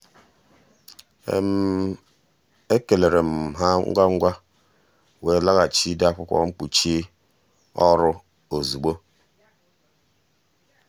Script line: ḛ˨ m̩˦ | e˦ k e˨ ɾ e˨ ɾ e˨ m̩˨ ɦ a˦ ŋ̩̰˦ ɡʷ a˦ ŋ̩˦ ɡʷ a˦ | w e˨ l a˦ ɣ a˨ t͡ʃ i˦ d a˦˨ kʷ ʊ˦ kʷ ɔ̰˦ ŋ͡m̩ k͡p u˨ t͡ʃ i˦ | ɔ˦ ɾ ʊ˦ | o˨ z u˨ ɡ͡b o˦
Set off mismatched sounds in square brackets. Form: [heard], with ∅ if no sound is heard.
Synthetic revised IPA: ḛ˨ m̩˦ | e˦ k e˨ [l] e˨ ɾ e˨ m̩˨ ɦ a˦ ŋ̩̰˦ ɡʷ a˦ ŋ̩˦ ɡʷ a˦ | w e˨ l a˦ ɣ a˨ t͡ʃ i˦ d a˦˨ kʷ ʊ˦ kʷ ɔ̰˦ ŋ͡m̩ k͡p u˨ t͡ʃ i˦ | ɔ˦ ɾ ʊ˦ | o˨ z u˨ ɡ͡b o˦